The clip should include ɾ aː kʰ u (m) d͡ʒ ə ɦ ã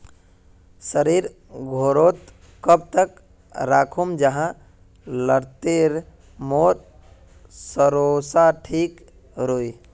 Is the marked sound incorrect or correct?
correct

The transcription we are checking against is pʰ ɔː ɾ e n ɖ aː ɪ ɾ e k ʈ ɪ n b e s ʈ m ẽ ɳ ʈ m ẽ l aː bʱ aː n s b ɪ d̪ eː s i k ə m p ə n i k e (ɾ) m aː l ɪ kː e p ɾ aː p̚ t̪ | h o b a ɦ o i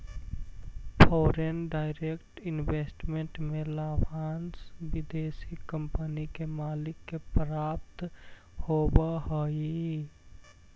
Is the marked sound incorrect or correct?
incorrect: none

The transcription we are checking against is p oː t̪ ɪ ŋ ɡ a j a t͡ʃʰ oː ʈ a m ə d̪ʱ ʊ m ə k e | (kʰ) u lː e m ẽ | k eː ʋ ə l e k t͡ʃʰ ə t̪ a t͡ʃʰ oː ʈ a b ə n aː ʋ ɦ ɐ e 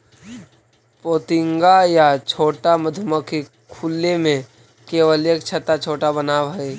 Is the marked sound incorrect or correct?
correct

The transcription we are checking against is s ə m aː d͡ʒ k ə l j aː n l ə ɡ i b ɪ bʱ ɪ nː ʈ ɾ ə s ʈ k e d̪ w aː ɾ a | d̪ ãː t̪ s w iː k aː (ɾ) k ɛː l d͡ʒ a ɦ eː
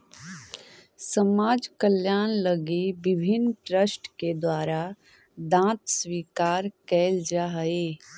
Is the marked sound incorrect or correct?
correct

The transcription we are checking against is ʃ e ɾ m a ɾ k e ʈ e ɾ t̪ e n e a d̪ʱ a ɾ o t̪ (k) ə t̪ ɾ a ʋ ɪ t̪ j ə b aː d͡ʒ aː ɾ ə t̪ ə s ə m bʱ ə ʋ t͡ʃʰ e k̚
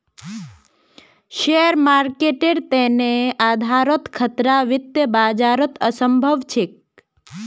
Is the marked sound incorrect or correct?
incorrect: kʰ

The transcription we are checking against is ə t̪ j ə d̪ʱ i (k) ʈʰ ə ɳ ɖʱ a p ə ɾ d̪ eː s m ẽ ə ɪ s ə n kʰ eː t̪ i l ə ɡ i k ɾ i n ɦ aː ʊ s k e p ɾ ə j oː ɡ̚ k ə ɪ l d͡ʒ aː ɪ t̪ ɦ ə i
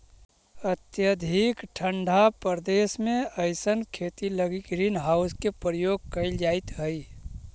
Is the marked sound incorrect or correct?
correct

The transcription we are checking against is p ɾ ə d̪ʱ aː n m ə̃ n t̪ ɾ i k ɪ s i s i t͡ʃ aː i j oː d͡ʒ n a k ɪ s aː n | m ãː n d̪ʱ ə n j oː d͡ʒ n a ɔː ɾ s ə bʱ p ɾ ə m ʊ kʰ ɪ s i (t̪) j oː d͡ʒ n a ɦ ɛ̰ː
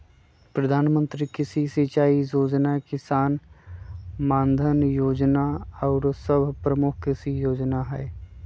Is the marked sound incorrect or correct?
incorrect: none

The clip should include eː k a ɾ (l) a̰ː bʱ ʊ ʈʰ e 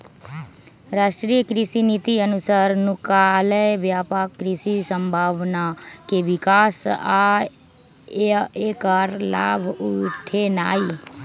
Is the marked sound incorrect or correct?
correct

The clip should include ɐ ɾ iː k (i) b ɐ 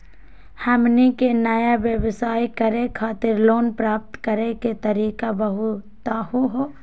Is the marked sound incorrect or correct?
incorrect: a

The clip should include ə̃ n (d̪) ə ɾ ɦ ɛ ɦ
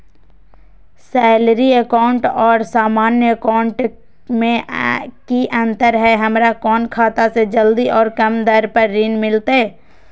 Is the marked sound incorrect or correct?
incorrect: t̪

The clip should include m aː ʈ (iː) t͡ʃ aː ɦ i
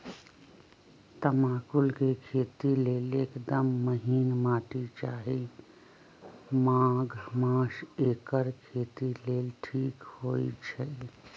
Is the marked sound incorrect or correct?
incorrect: i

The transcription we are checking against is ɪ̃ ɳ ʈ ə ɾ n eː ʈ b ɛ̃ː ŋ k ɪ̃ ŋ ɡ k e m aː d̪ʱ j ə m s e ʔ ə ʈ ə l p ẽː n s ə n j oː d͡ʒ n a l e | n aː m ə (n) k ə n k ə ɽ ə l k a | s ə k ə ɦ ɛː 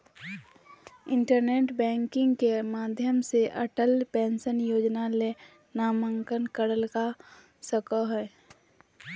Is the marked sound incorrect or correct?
incorrect: ŋ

